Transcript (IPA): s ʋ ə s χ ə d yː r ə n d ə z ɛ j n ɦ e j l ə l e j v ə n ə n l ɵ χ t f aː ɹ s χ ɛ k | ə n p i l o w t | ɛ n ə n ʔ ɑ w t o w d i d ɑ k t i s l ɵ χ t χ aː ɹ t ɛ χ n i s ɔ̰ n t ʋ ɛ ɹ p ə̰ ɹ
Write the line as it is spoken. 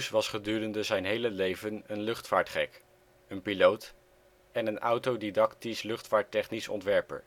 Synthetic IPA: s ʋ ɑ s χ ə d yː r ə n d ə z ɛ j n ɦ e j l ə l e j v ə n ə n l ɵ χ t f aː ɹ t χ ɛ k | ə n p i l o w t | ɛ n ə n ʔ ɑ w t o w d i d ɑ k t i s l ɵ χ t f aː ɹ t ɛ χ n i s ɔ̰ n t ʋ ɛ ɹ p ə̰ ɹ